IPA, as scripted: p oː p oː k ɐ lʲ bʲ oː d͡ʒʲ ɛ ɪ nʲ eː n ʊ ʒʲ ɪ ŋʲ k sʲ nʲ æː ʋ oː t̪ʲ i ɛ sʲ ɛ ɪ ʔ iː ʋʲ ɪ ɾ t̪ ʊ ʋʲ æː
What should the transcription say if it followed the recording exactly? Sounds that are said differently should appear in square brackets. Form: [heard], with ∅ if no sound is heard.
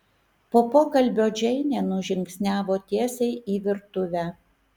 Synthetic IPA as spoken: p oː p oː k ɐ lʲ bʲ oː d͡ʒʲ ɛ ɪ nʲ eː n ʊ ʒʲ ɪ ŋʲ k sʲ nʲ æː ʋ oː t̪ʲ i ɛ sʲ ɛ ɪ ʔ iː ʋʲ ɪ ɾ t̪ ʊ ʋʲ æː